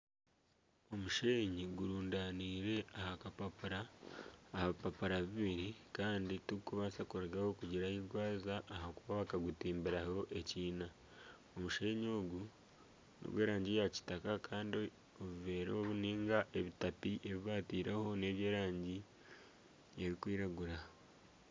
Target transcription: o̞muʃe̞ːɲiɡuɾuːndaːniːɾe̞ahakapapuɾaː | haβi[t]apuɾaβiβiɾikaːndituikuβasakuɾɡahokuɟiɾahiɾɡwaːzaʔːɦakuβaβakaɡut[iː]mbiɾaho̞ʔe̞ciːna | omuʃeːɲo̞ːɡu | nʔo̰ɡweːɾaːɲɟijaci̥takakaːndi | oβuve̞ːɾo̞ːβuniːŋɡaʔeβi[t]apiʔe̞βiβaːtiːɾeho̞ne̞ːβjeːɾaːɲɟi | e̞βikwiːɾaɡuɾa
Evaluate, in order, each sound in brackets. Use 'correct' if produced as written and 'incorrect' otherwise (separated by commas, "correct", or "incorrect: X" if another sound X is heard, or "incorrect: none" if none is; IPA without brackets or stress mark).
incorrect: p, correct, correct